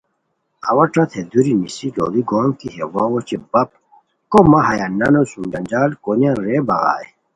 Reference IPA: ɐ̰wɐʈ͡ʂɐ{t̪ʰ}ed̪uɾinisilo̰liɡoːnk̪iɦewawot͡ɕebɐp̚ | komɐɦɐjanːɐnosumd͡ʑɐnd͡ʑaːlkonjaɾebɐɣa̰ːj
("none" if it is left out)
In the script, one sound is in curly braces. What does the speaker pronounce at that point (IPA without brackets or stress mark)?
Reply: t̪ʰ